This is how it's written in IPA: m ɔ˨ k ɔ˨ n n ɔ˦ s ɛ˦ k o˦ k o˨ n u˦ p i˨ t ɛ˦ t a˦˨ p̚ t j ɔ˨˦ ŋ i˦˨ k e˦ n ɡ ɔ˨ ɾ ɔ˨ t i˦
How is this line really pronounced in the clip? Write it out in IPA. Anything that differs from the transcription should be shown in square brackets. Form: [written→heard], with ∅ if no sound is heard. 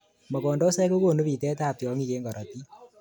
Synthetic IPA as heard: m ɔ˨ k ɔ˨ n [n→d] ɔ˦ s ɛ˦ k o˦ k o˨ n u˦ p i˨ t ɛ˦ t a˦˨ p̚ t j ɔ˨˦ ŋ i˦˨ k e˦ [n→ŋ] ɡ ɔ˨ ɾ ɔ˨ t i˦